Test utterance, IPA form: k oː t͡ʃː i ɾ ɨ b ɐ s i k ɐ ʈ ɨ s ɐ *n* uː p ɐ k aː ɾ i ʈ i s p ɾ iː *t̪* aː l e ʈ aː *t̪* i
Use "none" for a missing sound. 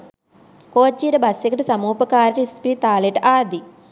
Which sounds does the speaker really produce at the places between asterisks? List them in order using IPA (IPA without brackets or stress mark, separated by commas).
m, t̪, d̪